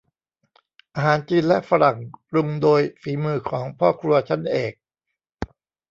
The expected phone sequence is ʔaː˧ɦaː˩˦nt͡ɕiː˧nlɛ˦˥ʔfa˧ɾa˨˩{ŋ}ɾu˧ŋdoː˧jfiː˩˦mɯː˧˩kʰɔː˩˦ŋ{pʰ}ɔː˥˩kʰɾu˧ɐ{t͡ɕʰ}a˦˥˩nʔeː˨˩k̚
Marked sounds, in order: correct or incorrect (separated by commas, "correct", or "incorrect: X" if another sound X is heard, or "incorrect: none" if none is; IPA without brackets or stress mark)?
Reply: correct, correct, correct